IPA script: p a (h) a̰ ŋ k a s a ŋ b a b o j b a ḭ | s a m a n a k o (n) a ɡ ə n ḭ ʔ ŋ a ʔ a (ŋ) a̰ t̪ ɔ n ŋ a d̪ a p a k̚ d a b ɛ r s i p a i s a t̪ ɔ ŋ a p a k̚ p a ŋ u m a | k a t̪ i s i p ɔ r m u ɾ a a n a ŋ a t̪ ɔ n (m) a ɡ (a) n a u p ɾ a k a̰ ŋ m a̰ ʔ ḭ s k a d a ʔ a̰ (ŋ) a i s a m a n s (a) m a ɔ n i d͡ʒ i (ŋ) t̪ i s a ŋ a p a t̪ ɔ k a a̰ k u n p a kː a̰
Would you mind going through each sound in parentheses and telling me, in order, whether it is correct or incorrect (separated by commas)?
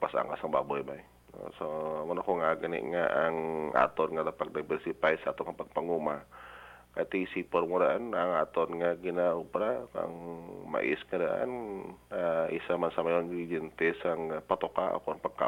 incorrect, incorrect, correct, incorrect, incorrect, incorrect, correct, incorrect